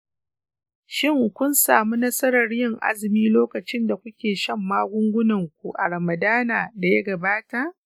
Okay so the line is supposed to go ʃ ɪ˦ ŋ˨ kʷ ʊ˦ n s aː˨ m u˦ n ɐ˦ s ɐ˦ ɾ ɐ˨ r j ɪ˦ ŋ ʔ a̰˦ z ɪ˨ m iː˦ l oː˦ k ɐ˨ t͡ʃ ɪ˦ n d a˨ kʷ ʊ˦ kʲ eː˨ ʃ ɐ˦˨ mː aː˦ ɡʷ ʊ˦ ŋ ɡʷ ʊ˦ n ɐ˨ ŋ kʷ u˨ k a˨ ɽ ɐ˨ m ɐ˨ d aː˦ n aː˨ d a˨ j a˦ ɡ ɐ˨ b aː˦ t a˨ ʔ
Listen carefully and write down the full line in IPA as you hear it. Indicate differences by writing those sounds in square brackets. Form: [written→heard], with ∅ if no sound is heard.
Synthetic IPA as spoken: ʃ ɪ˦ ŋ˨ kʷ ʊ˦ n s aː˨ m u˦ n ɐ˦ s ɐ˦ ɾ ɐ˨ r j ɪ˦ ŋ ʔ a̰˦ z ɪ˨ m iː˦ l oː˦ k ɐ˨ t͡ʃ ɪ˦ n d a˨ kʷ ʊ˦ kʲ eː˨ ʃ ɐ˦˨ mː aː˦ ɡʷ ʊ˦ ŋ ɡʷ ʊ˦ n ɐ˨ ŋ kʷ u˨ [k→ʔ] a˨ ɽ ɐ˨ m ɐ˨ d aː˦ n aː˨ d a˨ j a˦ ɡ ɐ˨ b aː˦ t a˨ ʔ